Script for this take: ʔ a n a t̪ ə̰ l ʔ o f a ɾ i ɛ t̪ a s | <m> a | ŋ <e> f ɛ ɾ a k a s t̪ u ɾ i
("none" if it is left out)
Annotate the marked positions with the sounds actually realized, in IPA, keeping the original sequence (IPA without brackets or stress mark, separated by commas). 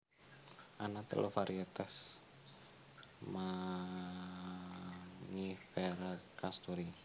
m, i